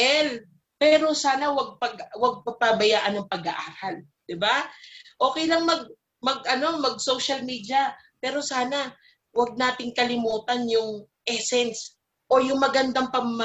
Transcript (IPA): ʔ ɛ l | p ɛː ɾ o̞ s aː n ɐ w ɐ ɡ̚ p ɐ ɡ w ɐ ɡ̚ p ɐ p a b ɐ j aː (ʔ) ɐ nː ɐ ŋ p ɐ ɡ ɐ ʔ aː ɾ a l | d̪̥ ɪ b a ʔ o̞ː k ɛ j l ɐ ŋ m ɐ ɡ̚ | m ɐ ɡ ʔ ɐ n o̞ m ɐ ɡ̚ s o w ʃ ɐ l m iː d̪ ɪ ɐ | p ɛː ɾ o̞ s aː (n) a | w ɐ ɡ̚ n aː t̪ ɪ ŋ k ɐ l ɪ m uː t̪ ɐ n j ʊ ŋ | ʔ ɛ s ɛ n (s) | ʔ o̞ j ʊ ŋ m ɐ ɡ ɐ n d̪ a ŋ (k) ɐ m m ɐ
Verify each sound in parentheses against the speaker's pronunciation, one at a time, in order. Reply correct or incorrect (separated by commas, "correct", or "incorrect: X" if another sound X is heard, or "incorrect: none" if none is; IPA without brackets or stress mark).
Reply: correct, correct, correct, incorrect: p